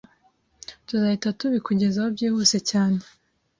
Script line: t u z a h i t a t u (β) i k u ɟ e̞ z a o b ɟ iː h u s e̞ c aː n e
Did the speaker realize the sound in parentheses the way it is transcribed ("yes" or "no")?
yes